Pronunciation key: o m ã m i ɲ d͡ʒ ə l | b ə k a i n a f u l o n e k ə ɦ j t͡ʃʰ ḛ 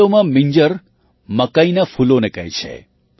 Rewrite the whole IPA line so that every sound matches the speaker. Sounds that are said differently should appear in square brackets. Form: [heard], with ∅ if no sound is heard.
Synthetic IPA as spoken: o m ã m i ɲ d͡ʒ ə [ɾ] | [m] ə k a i n a f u l o n e k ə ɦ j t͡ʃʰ ḛ